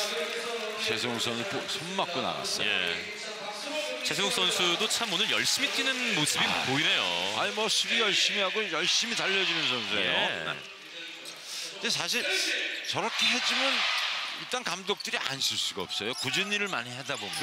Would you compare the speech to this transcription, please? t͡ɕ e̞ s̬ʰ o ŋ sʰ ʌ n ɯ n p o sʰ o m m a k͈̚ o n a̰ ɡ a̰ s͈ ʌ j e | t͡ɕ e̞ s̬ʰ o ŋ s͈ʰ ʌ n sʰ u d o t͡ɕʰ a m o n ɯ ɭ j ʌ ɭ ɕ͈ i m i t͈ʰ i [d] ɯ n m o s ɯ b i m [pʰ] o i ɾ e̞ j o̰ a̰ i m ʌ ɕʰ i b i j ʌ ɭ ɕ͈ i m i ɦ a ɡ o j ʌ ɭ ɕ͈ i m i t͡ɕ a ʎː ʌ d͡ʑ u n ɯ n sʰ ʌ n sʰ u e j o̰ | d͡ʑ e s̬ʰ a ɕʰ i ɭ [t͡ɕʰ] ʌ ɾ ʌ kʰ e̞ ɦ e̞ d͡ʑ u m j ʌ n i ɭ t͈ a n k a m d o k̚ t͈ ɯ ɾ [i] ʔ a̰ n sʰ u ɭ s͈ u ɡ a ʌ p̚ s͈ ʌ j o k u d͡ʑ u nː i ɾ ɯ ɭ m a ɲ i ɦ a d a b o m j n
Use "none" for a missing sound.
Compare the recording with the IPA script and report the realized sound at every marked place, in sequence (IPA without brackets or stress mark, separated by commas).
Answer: n, p, t͡ɕ, i